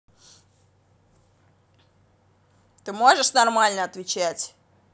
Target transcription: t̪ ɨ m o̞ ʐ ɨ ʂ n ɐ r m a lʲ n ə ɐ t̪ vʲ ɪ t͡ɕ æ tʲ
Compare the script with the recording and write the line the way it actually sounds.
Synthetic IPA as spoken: t̪ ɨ m o̞ ʐ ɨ ʂ n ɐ r m a lʲ n ə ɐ t̪ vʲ ɪ t͡ɕ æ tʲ